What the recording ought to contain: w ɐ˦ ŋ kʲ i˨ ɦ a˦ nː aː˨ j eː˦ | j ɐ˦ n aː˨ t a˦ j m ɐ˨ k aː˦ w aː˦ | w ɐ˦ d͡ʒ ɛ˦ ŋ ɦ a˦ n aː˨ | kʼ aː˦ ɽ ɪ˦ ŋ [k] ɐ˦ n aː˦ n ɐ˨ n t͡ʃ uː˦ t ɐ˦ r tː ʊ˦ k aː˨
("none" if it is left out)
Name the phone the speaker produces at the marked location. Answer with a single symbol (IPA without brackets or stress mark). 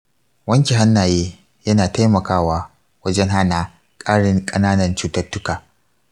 kʼ